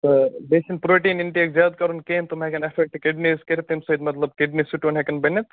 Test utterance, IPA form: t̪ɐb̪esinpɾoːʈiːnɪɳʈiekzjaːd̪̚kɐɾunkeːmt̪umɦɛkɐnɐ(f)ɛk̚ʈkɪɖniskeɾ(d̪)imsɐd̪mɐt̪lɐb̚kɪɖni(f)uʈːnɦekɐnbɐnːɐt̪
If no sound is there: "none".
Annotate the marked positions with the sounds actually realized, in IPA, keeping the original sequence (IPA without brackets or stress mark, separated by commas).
f, t̪, s